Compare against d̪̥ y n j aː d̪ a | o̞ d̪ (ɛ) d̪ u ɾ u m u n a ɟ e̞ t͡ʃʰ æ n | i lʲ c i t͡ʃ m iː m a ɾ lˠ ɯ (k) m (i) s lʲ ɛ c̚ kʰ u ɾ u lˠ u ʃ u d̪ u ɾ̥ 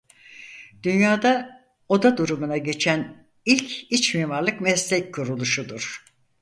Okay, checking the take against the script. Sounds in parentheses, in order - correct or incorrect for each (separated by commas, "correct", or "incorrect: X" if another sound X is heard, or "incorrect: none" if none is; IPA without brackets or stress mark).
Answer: incorrect: a, correct, incorrect: ɛ